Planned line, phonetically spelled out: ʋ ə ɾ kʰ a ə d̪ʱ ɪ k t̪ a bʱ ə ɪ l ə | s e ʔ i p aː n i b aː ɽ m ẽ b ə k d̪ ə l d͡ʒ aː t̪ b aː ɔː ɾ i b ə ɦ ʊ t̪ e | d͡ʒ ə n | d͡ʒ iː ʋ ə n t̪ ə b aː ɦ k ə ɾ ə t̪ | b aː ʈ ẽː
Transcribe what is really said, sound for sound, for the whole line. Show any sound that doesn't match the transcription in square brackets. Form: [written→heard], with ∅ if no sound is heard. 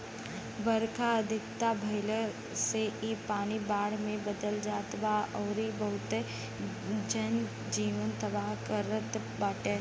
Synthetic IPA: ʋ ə ɾ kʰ a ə d̪ʱ ɪ k t̪ a bʱ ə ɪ l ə | s e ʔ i p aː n i b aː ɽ m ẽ b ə [k→∅] d̪ ə l d͡ʒ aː t̪ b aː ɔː ɾ i b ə ɦ ʊ t̪ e | d͡ʒ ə n | d͡ʒ iː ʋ ə n t̪ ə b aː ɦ k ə ɾ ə t̪ | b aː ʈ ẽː

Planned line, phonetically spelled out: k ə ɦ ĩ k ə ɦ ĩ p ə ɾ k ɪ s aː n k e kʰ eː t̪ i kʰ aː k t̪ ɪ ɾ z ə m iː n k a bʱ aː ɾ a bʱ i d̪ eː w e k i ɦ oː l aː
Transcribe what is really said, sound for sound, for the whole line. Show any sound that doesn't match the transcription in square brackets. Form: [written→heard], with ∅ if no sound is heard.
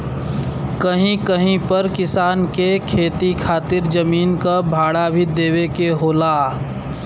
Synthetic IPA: k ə ɦ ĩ k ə ɦ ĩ p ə ɾ k ɪ s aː n k e kʰ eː t̪ i kʰ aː [k→∅] t̪ ɪ ɾ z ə m iː n k a bʱ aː [ɾ→ɽ] a bʱ i d̪ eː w e k [i→e] ɦ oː l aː

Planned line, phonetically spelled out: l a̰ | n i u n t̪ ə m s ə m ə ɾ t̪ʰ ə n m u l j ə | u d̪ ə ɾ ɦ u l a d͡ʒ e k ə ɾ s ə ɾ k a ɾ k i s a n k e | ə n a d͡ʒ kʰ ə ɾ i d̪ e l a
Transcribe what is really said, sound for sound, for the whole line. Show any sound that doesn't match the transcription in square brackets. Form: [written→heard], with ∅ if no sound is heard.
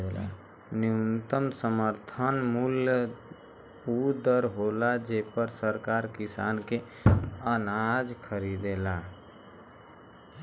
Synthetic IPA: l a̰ | n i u n t̪ ə m s ə m ə ɾ t̪ʰ ə n m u l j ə | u d̪ ə ɾ ɦ [u→o] l a d͡ʒ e [k→p] ə ɾ s ə ɾ k a ɾ k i s a n k e | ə n a d͡ʒ kʰ ə ɾ i d̪ e l a

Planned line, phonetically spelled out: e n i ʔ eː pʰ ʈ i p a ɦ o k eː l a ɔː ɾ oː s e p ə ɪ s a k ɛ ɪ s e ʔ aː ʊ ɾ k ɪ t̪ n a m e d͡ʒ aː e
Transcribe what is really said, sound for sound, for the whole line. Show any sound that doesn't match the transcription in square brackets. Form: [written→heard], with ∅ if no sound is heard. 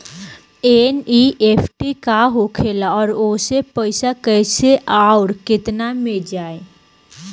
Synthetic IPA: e n i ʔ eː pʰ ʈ i [p→k] a ɦ o [k→kʰ] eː l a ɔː ɾ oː s e p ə ɪ s a k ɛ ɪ s e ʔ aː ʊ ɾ k ɪ t̪ n a m e d͡ʒ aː e

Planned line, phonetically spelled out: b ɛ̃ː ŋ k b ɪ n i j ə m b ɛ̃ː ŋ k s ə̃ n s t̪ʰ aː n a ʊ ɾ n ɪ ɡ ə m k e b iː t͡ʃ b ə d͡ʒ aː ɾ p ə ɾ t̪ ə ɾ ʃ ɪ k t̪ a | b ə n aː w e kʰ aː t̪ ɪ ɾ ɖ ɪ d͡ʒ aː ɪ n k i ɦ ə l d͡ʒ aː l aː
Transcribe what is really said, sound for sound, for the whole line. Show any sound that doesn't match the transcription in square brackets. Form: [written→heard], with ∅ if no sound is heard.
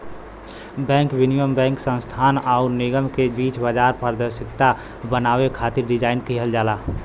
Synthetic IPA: b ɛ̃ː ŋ k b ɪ n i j ə m b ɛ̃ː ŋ k s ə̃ n s t̪ʰ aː n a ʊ ɾ n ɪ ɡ ə m k e b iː t͡ʃ b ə d͡ʒ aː ɾ p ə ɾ [t̪→d̪] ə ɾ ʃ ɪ k t̪ a | b ə n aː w e kʰ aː t̪ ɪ ɾ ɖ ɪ d͡ʒ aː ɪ n k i ɦ ə l d͡ʒ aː l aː

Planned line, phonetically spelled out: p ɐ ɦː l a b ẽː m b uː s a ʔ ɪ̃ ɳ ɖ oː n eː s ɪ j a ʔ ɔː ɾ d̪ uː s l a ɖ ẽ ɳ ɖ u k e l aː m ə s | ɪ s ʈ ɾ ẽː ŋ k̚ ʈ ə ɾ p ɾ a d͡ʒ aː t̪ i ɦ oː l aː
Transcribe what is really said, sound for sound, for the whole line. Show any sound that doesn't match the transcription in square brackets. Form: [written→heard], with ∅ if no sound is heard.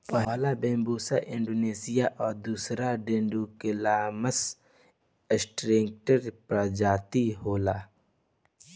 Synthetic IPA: p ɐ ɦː l a b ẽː m b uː s a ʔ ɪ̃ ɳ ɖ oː n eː s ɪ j a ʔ ɔː ɾ d̪ uː s [l→ɾ] a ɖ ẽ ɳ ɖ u k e l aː m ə s | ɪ s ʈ ɾ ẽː ŋ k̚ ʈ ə ɾ p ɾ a d͡ʒ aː t̪ i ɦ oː l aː

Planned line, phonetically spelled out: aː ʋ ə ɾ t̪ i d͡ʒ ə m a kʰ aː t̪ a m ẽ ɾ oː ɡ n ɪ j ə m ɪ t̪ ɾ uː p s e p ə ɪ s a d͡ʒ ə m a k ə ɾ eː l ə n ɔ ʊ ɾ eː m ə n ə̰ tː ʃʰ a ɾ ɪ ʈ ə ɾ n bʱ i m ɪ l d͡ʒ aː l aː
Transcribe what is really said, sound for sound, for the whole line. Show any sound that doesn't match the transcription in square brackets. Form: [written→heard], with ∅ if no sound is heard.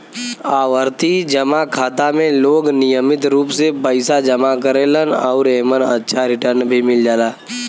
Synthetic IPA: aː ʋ ə ɾ t̪ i d͡ʒ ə m a kʰ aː t̪ a m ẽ [ɾ→l] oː ɡ n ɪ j ə m ɪ t̪ ɾ uː p s e p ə ɪ s a d͡ʒ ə m a k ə ɾ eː l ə n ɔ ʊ ɾ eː m ə n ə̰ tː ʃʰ a ɾ ɪ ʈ ə ɾ n bʱ i m ɪ l d͡ʒ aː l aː

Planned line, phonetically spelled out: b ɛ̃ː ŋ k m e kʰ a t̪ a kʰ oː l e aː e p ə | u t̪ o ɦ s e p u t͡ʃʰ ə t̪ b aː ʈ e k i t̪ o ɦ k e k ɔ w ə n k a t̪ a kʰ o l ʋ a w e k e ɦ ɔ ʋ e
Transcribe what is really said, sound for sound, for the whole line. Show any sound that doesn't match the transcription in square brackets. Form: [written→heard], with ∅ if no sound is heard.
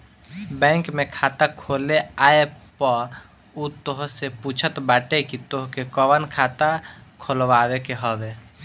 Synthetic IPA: b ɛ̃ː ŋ k m e kʰ a t̪ a kʰ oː l e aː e p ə | u t̪ o ɦ s e p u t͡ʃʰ ə t̪ b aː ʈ e k i t̪ o ɦ k e k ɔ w ə n [k→kʰ] a t̪ a kʰ o l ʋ a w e k e ɦ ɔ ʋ e

